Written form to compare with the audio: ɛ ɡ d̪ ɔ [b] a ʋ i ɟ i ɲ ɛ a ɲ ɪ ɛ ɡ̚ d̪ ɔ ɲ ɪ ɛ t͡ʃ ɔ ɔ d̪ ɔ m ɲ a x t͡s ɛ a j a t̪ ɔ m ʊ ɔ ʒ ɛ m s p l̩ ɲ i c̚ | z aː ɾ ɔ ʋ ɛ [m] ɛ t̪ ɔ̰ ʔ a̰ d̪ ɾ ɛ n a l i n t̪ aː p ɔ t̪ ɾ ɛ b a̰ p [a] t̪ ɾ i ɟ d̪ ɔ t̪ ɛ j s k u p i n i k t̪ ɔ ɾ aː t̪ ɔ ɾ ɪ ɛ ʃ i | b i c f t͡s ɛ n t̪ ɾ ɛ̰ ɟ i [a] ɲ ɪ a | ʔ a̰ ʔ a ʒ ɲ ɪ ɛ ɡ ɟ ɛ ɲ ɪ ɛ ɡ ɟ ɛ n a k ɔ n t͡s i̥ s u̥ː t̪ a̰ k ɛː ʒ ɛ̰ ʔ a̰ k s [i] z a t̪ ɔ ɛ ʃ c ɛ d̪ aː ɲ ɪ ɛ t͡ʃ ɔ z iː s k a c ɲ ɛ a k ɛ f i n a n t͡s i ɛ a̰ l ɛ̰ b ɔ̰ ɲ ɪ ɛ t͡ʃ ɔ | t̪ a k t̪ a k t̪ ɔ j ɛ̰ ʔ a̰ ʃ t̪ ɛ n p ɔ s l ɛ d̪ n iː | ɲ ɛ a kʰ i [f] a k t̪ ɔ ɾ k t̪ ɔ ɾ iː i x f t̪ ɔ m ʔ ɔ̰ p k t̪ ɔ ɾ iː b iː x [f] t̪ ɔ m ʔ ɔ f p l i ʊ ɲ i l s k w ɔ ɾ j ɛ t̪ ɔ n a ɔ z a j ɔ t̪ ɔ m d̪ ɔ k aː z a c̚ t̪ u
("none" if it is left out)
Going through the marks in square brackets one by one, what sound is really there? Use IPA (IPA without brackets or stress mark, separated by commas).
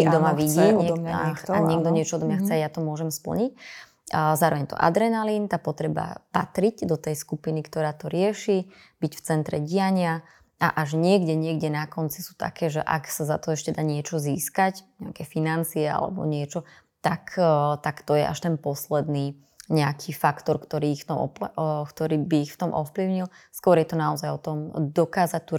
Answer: m, ɲ, a, a, a, f, f